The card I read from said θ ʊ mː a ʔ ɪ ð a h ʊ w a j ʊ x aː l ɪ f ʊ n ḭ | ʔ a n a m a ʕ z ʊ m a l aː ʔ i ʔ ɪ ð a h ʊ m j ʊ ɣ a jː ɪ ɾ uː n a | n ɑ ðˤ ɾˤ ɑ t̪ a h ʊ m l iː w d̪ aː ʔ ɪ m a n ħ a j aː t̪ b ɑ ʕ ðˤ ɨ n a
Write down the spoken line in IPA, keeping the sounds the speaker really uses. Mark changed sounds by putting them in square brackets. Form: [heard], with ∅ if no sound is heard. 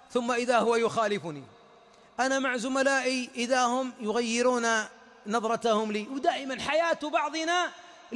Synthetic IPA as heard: θ ʊ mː a ʔ ɪ ð a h ʊ w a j ʊ x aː l ɪ f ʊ n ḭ | ʔ a n a m a ʕ z ʊ m a l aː ʔ i ʔ ɪ ð a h ʊ m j ʊ ɣ a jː ɪ ɾ uː n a | n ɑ ðˤ ɾˤ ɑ t̪ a h ʊ m l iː w d̪ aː ʔ ɪ m a n ħ a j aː t̪ b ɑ ʕ ðˤ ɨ n a

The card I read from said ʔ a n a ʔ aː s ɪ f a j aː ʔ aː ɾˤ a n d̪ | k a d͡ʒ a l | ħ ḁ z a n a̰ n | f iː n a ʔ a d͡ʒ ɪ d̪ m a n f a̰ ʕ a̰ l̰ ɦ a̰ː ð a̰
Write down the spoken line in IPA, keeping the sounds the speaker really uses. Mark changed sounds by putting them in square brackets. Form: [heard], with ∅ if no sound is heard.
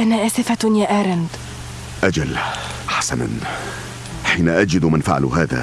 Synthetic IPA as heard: ʔ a n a ʔ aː s ɪ f a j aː ʔ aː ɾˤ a n d̪ | [ʔ] a d͡ʒ a l | ħ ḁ [s] a n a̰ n | [ħ] iː n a ʔ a d͡ʒ ɪ d̪ m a n f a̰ ʕ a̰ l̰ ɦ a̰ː ð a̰

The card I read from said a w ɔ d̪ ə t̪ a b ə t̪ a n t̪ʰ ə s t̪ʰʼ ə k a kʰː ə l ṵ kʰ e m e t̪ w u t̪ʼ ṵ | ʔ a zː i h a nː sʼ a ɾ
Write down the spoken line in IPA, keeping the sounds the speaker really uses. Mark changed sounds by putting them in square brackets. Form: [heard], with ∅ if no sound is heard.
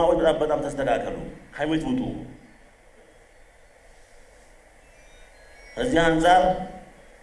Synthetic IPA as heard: a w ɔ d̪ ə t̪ a b ə [t̪ʼ] a [m] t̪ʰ ə s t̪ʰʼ ə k a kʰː ə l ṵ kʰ [a] m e t̪ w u t̪ʼ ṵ | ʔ [ə] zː i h a [n] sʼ a ɾ

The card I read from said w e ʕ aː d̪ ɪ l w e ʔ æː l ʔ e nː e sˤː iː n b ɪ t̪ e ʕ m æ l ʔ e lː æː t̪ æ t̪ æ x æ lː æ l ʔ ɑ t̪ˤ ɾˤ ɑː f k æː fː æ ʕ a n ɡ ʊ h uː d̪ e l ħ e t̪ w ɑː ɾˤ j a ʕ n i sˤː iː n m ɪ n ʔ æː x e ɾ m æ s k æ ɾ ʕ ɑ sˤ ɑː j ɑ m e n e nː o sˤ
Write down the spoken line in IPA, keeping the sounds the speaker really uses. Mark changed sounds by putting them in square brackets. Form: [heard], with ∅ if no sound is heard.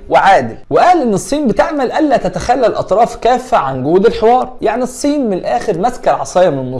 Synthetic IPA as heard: w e ʕ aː d̪ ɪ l w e ʔ æː l ʔ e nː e sˤː iː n b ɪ t̪ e ʕ m æ l ʔ [æ] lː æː t̪ æ t̪ æ x æ lː æ l ʔ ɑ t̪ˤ ɾˤ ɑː f k æː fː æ ʕ a n ɡ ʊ h uː d̪ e l ħ e [∅] w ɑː ɾˤ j a ʕ n i sˤː iː n m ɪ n ʔ æː x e ɾ m æ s k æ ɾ ʕ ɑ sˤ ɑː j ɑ m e n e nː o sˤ

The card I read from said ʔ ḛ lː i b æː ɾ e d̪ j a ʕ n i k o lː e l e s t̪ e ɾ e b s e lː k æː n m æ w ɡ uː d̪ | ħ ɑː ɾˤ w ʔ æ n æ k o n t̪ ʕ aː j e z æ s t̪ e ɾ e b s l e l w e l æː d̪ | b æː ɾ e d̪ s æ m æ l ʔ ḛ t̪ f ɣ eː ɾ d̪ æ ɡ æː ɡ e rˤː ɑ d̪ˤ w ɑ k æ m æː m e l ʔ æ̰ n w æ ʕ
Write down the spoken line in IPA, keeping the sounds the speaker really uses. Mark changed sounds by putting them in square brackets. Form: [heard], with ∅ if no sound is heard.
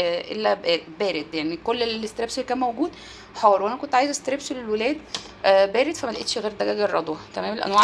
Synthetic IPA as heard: ʔ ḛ lː [æ] b æː ɾ e d̪ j a ʕ n i k o lː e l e s t̪ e ɾ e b s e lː k æː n m æ w ɡ uː d̪ | ħ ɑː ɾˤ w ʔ æ n æ k o n t̪ ʕ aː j e z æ s t̪ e ɾ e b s l e l w e l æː d̪ | b æː ɾ e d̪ [f] æ m æ l ʔ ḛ t̪ [ʃ] ɣ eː ɾ d̪ æ ɡ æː ɡ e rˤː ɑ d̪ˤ w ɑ k æ m æː m e l ʔ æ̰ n w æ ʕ

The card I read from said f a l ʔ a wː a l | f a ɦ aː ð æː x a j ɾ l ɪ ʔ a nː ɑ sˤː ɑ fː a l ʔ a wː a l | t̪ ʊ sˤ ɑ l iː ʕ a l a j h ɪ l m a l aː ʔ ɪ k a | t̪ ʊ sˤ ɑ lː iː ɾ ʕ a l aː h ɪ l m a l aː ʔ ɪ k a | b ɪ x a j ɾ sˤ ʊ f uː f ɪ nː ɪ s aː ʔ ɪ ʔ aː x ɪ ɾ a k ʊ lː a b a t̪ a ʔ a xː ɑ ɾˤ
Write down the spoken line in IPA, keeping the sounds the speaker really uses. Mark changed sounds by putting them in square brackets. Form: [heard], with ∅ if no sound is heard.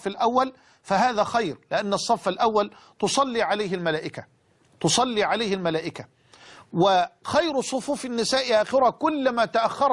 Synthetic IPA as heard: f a l ʔ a wː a l | f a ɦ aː ð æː x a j ɾ l ɪ ʔ a nː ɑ sˤː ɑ fː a l ʔ a wː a l | t̪ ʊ sˤ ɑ [lː] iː ʕ a l a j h ɪ l m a l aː ʔ ɪ k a | t̪ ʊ sˤ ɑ lː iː [∅] ʕ a l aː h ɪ l m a l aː ʔ ɪ k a | [w] ɪ x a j ɾ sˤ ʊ f uː f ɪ nː ɪ s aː ʔ ɪ ʔ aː x ɪ ɾ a k ʊ lː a [m] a t̪ a ʔ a xː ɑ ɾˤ

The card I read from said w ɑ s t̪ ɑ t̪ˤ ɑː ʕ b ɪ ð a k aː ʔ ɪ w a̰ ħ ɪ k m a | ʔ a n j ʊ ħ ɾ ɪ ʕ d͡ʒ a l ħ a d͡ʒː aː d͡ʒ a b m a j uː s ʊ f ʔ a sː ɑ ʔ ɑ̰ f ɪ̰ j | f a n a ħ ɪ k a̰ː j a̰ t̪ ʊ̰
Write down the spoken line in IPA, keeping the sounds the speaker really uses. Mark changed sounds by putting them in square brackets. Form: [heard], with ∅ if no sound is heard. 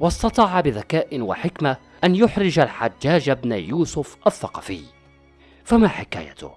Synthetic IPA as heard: w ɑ s t̪ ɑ t̪ˤ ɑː ʕ b ɪ ð a k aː ʔ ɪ w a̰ ħ ɪ k m a | ʔ a n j ʊ ħ ɾ ɪ [∅] d͡ʒ a l ħ a d͡ʒː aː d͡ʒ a b [n] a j uː s ʊ f ʔ a [θː] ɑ [q] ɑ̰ f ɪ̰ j | f a [m] a ħ ɪ k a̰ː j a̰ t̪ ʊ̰

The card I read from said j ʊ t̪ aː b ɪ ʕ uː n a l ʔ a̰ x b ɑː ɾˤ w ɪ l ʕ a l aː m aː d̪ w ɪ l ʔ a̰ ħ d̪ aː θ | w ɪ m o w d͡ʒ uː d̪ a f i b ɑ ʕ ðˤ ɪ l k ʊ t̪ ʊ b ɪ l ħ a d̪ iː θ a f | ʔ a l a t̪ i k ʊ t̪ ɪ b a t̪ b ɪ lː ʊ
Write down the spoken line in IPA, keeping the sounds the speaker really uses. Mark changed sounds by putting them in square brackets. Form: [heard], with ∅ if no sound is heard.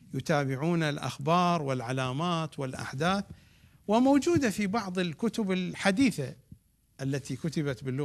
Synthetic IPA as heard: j ʊ t̪ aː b ɪ ʕ uː n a l ʔ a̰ x b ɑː ɾˤ w ɪ l ʕ a l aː m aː [t̪] w ɪ l ʔ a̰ ħ d̪ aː θ | w ɪ m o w d͡ʒ uː d̪ a f i b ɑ ʕ ðˤ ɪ l k ʊ t̪ ʊ b ɪ l ħ a d̪ iː θ a [∅] | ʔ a [lː] a t̪ i k ʊ t̪ ɪ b a t̪ b ɪ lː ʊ

